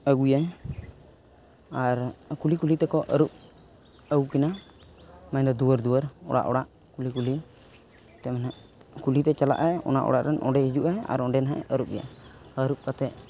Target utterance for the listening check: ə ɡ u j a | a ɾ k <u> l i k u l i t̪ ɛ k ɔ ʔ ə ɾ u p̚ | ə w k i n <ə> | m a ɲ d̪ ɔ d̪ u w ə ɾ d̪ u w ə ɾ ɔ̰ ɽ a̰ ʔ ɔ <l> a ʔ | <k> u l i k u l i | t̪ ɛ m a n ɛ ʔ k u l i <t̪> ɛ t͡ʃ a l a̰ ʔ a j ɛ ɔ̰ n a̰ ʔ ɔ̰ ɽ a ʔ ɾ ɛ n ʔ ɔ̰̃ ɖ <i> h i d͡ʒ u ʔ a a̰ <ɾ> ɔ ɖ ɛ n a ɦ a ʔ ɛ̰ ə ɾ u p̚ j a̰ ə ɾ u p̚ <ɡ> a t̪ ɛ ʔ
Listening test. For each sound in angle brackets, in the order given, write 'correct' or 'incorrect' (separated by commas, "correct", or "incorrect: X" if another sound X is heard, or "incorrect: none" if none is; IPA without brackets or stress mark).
correct, incorrect: a, incorrect: ɽ, correct, correct, incorrect: ɛ, correct, incorrect: k